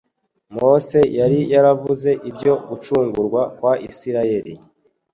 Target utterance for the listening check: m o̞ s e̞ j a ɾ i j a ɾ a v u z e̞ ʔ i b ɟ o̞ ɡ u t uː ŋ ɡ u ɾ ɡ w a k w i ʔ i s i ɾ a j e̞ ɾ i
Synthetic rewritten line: m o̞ s e̞ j a ɾ i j a ɾ a v u z e̞ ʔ i b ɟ o̞ ɡ u t͡ʃ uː ŋ ɡ u ɾ ɡ w a k w a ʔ i s i ɾ a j e̞ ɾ i